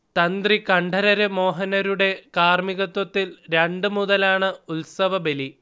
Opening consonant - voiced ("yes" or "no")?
no